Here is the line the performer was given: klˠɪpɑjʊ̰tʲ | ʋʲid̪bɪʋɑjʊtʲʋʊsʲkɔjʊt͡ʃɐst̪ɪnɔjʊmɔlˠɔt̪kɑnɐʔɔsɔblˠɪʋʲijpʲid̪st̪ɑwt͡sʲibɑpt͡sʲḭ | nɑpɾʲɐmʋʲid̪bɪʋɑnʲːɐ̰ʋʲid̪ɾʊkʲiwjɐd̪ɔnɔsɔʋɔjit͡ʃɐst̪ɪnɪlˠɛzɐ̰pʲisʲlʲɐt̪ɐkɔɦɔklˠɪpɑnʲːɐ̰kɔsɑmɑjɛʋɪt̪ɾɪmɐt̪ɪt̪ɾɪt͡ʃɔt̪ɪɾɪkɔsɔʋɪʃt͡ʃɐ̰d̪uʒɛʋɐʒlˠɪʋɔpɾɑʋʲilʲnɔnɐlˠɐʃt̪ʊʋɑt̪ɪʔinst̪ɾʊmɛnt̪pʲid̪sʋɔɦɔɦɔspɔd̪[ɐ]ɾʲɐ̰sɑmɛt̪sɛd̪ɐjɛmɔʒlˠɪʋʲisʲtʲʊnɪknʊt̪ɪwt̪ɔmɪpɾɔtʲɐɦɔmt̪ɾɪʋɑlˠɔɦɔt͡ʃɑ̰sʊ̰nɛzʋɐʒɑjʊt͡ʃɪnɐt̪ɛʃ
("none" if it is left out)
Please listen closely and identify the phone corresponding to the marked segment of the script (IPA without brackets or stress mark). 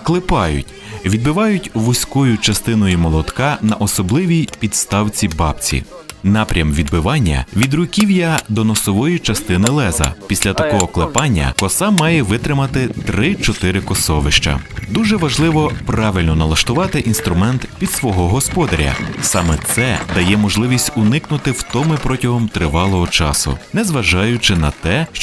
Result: ɐ